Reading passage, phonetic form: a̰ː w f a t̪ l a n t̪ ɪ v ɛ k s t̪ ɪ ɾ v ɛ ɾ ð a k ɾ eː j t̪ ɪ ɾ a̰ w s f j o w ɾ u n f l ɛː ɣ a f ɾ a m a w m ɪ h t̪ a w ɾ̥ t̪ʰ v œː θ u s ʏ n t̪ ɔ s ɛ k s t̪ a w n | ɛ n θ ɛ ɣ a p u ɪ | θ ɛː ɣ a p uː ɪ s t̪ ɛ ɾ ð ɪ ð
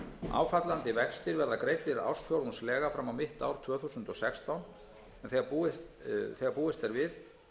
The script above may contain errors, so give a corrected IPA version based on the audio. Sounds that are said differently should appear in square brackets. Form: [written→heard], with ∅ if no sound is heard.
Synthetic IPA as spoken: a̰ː w f a t̪ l a n t̪ ɪ v ɛ k s t̪ ɪ ɾ v ɛ ɾ ð a k ɾ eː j t̪ ɪ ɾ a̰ w s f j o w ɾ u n [f→s] l ɛː ɣ a f ɾ a m a w m ɪ h t̪ a w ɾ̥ t̪ʰ v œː θ u s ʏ n t̪ ɔ s ɛ k s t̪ a w n | ɛ n θ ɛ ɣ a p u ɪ | θ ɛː ɣ a p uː ɪ s t̪ ɛ ɾ [ð→v] ɪ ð